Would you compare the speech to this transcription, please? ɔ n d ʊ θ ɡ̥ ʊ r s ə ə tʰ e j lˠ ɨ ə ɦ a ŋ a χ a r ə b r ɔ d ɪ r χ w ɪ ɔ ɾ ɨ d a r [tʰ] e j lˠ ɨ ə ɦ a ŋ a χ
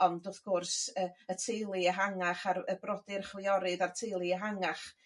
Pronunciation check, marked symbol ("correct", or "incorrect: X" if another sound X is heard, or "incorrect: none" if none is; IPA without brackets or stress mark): correct